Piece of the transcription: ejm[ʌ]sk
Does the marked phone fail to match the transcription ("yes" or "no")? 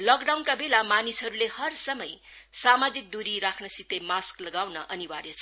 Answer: yes